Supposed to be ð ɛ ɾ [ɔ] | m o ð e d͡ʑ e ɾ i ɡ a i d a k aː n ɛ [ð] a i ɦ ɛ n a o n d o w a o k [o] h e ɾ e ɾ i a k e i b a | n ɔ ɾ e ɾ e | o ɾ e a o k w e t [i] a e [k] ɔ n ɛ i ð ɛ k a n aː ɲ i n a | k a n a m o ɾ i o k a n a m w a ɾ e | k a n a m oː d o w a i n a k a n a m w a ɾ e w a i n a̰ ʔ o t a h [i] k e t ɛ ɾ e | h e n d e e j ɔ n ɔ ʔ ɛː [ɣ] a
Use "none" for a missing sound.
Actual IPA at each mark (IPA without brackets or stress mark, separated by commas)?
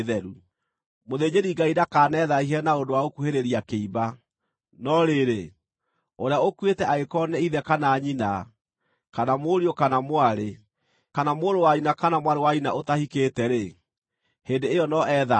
u, ð, u, ɛ, k, i, ð